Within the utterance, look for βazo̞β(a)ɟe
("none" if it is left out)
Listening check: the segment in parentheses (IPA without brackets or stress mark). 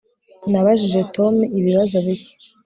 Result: i